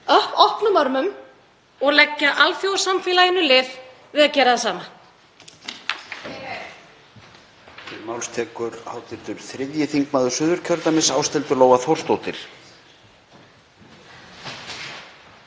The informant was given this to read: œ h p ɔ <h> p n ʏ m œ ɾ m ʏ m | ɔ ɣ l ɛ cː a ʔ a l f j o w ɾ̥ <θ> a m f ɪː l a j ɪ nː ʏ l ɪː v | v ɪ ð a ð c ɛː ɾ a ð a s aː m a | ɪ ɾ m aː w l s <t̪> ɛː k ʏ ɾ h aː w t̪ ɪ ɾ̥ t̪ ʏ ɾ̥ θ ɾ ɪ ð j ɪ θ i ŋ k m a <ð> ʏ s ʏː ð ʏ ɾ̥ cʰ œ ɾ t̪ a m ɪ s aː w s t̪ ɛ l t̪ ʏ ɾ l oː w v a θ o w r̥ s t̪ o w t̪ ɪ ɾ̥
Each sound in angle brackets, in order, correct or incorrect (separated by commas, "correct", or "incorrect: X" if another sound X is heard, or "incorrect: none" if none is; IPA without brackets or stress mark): correct, incorrect: s, incorrect: t̪ʰ, correct